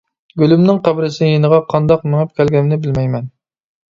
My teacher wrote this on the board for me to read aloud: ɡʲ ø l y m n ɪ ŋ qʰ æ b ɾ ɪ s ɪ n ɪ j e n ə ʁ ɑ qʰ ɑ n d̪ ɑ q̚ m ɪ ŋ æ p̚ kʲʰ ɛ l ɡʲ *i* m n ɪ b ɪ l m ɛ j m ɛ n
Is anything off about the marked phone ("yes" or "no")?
yes